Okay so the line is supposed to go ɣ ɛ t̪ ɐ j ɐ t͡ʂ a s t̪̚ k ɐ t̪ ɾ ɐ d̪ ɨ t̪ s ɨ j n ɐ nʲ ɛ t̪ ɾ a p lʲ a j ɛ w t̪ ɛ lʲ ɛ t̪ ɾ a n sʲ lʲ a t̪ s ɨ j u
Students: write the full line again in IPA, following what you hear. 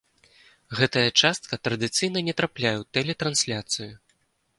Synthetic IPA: ɣ ɛ t̪ ɐ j ɐ t͡ʂ a s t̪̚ k ɐ t̪ ɾ ɐ d̪ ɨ t̪ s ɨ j n ɐ nʲ ɛ t̪ ɾ a p lʲ a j ɛ w t̪ ɛ lʲ ɛ t̪ ɾ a n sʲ lʲ a t̪ s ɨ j u